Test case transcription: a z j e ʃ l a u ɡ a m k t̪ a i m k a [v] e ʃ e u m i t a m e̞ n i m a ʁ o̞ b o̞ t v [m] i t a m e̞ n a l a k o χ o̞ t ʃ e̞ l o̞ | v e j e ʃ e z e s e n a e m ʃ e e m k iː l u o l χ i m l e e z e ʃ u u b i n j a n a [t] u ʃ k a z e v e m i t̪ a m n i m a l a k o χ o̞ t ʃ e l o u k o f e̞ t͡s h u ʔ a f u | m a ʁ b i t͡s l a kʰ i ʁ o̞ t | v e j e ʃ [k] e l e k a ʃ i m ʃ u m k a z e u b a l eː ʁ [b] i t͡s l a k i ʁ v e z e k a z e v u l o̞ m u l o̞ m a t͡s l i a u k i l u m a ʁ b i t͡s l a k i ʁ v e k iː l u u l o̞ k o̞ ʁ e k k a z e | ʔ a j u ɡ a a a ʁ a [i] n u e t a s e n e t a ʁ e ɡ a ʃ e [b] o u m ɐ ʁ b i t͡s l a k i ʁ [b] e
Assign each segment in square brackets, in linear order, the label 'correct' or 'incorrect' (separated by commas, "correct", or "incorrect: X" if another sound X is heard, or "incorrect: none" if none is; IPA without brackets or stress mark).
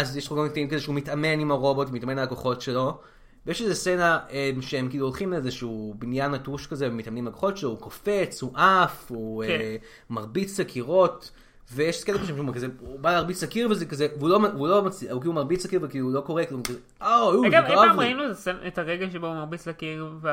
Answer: incorrect: z, correct, correct, correct, correct, correct, correct, incorrect: v